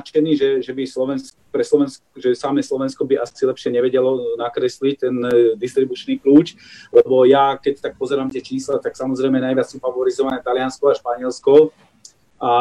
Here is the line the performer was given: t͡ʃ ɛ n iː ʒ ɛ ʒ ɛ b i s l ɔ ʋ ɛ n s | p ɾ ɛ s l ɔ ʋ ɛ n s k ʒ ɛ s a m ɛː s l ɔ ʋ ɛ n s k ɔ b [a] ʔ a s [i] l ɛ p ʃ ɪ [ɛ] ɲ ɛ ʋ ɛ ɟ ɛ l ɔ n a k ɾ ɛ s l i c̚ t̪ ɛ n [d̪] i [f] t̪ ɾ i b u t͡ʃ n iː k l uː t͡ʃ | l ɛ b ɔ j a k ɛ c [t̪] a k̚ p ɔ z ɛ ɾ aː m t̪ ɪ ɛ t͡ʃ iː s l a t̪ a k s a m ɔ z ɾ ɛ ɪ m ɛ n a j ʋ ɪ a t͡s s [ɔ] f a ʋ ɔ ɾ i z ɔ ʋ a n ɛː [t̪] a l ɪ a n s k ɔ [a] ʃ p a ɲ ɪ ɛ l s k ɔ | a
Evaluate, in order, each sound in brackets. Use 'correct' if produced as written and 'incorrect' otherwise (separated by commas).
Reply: incorrect, correct, correct, correct, incorrect, correct, incorrect, correct, correct